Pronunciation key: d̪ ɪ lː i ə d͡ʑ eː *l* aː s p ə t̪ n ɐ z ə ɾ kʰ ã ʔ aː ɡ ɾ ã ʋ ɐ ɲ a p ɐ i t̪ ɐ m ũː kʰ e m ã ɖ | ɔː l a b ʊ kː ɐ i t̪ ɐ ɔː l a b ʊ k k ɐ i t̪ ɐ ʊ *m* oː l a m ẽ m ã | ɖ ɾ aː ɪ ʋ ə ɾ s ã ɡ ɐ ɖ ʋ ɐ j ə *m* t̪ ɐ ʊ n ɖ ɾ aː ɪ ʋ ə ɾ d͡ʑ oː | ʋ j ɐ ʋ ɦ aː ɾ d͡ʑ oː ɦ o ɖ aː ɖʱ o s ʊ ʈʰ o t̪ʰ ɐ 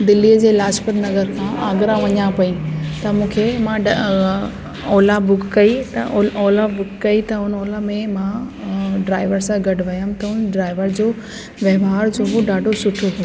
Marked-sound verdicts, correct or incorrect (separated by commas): correct, incorrect, correct